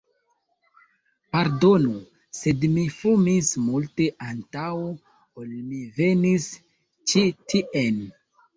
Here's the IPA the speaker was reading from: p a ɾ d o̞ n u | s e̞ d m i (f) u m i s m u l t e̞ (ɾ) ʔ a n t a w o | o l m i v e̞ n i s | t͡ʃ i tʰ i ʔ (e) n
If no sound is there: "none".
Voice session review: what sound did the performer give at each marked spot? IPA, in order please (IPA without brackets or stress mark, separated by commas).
f, none, e